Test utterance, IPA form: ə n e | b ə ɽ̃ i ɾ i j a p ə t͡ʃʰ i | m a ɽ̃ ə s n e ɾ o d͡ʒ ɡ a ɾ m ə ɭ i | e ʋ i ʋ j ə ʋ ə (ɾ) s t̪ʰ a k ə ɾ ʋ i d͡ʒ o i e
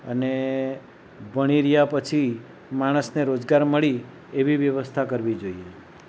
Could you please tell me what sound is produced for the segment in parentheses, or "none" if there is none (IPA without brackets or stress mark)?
none